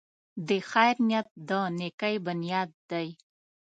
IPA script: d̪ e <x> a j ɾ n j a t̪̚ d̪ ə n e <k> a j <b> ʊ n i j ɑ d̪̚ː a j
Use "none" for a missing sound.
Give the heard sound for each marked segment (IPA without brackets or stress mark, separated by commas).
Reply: x, k, b